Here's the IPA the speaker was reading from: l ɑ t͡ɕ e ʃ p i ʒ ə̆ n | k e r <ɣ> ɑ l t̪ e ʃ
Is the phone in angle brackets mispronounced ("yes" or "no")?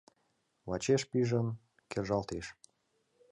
yes